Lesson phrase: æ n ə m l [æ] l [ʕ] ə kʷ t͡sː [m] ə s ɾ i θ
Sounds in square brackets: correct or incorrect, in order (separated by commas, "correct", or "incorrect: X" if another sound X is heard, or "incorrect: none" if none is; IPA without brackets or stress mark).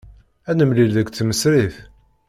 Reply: incorrect: i, incorrect: ð, correct